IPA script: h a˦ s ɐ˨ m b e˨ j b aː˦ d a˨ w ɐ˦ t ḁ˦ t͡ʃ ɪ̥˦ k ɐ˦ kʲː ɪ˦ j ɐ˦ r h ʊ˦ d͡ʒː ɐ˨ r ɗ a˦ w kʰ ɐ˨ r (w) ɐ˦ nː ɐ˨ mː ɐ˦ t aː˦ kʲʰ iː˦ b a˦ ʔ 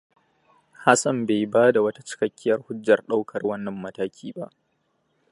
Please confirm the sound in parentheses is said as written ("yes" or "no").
yes